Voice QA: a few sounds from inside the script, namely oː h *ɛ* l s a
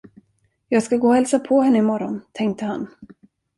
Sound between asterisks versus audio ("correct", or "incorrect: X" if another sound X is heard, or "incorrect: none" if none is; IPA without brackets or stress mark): correct